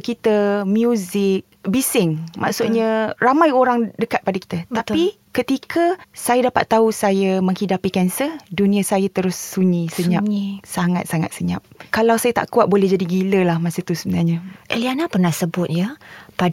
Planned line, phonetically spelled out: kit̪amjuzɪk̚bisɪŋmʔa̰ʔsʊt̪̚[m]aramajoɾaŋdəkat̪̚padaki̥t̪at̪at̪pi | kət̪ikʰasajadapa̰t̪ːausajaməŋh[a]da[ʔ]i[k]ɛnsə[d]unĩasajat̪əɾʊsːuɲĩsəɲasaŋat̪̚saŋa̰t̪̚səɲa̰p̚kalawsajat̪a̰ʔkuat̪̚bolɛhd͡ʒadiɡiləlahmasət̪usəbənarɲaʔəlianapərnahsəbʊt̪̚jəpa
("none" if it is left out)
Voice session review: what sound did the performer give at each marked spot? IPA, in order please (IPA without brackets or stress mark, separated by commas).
ɲ, i, p, k, d